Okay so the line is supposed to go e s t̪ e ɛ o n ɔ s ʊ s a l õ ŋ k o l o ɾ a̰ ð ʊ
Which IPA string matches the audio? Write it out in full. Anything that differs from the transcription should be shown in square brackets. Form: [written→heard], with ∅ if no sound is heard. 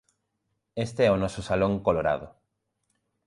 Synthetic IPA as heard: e s t̪ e ɛ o n ɔ s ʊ s a l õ ŋ k o l o ɾ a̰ ð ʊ